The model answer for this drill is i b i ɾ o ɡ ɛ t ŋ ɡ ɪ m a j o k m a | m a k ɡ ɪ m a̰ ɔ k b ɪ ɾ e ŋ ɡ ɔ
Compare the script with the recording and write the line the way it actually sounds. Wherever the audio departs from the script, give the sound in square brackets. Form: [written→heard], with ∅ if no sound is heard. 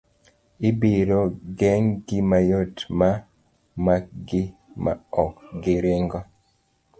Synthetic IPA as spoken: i b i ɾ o ɡ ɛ [t→∅] ŋ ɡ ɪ m a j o [k→t] m a | m a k ɡ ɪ m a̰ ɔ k [b→ɡ] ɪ ɾ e ŋ ɡ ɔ